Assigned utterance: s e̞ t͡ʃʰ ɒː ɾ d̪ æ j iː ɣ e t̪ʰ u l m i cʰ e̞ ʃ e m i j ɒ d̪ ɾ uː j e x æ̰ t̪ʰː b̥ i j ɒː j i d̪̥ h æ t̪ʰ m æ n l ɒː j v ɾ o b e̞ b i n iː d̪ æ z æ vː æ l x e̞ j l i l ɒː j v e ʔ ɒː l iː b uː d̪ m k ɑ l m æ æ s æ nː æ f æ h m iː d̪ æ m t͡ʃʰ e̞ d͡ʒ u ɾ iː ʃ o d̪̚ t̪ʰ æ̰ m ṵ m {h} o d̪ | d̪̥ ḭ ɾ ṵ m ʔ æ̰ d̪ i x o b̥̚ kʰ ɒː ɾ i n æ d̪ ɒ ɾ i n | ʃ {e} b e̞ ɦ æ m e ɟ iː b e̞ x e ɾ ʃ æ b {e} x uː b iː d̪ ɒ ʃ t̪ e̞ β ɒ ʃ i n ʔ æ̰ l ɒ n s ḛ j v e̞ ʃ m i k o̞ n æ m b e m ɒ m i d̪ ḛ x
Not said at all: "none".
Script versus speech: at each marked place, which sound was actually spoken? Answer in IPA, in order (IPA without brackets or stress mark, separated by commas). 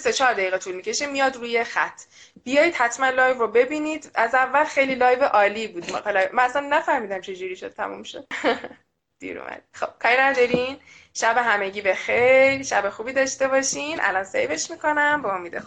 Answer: ʃ, æ, e